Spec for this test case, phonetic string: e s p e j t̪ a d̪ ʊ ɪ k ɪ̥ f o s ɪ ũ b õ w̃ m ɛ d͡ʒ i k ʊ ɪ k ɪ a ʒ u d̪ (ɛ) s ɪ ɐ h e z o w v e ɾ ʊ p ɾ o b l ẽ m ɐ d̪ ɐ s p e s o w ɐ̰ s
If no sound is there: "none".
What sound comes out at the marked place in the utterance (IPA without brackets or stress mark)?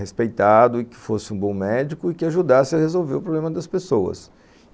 a